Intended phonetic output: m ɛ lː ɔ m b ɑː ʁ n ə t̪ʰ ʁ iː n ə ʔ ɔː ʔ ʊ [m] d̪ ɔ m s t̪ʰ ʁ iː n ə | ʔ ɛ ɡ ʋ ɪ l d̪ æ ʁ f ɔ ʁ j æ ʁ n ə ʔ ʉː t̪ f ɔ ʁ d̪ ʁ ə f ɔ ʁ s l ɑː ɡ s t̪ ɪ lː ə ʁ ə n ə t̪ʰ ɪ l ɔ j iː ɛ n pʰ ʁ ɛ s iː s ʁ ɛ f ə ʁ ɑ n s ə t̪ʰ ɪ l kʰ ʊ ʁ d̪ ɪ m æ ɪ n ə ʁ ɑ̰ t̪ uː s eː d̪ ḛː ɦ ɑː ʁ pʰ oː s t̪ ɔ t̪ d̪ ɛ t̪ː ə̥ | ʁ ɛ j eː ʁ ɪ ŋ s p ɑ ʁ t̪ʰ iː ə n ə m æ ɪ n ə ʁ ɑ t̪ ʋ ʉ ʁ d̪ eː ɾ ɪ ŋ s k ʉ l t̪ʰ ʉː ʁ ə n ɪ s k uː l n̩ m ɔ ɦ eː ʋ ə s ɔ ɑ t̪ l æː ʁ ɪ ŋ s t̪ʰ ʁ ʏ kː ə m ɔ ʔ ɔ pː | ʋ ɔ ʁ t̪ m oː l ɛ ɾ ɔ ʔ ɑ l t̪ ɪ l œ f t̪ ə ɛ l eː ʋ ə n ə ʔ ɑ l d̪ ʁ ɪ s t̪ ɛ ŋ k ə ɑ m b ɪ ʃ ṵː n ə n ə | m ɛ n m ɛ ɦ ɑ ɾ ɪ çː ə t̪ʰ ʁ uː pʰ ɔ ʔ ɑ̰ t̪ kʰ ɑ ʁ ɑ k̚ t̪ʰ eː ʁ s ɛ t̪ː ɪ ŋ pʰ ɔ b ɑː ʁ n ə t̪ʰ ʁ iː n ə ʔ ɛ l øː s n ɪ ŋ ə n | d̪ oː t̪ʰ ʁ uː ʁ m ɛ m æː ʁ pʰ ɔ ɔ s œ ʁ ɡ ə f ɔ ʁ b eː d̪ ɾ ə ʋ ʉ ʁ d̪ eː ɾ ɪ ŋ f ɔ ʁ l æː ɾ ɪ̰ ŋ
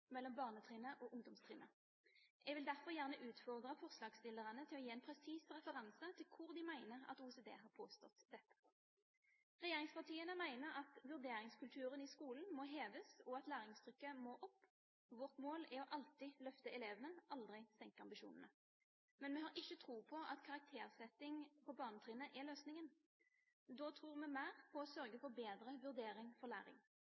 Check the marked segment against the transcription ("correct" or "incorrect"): incorrect